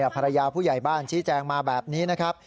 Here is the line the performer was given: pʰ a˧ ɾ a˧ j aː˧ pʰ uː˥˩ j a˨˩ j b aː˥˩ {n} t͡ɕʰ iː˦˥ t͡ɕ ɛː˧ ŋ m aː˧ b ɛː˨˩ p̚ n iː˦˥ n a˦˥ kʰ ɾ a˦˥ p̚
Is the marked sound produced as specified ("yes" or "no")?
yes